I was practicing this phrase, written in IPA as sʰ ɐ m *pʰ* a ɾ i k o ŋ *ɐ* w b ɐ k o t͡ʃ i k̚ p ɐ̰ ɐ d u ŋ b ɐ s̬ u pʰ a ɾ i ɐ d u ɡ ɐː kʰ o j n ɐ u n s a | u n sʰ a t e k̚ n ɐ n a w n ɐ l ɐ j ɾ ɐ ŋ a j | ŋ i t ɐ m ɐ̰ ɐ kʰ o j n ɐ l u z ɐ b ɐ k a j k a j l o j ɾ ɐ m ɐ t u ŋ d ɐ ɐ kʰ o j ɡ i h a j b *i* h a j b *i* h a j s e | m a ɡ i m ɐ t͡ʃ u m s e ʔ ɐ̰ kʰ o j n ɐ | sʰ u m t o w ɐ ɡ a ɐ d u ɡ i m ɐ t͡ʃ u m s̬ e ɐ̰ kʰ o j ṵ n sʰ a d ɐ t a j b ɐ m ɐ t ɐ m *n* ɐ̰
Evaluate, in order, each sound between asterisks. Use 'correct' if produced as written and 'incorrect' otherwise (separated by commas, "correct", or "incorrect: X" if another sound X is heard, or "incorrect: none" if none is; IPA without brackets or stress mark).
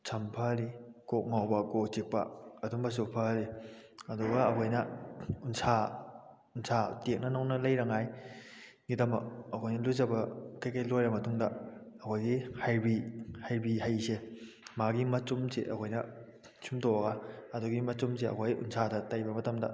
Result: correct, incorrect: a, correct, correct, incorrect: d